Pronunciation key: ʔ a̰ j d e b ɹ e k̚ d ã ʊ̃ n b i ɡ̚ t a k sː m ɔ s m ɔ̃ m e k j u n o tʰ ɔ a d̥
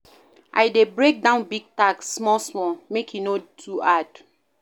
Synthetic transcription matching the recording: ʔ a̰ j d e b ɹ e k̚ d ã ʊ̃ n b i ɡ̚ t a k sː m ɔ s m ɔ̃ m e k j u n o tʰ u a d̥